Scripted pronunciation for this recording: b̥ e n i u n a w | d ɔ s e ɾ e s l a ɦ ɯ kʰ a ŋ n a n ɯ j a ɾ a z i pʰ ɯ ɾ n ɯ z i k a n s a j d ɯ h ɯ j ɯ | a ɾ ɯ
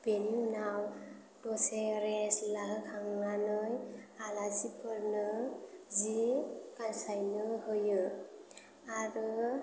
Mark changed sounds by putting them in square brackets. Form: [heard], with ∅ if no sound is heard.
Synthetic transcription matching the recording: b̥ e n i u n a w | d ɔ s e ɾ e s l a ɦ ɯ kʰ a ŋ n a n ɯ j a [l] a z i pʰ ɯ ɾ n ɯ z i k a n s a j [n] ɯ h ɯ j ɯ | a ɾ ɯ